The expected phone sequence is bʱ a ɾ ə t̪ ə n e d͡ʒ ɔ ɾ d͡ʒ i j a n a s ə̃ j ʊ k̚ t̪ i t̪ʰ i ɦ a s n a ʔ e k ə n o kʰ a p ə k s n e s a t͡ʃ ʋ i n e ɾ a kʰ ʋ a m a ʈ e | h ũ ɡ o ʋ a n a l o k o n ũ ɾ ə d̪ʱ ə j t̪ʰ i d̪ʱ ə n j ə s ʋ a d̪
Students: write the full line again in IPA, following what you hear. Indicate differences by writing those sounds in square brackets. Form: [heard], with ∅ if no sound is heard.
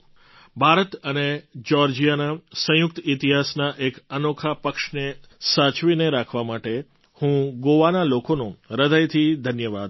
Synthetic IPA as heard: bʱ a ɾ ə t̪ ə n e d͡ʒ ɔ ɾ d͡ʒ i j a n a s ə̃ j ʊ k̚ t̪ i [t̪] i ɦ a s n a ʔ e k ə n o kʰ a p ə k [ʃ] n e s a t͡ʃ ʋ i n e ɾ a kʰ ʋ a m a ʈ e | h ũ ɡ o ʋ a n a l o k o n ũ ɾ ə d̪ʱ ə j t̪ʰ i d̪ʱ ə n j ə [∅] ʋ a d̪